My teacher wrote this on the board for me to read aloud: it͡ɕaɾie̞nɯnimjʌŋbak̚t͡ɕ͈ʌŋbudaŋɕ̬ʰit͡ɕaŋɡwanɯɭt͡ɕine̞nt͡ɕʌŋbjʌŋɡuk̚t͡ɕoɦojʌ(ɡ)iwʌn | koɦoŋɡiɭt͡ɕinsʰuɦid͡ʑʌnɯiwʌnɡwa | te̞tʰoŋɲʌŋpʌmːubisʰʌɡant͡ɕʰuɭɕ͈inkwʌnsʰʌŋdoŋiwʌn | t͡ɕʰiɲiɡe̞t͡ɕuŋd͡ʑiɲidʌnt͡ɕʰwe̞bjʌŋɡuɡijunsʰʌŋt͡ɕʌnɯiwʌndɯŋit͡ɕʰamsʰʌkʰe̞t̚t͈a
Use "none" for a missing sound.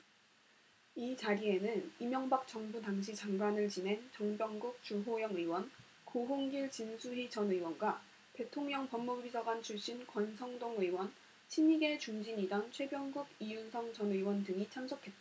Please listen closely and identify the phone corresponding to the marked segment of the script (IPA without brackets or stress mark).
ŋ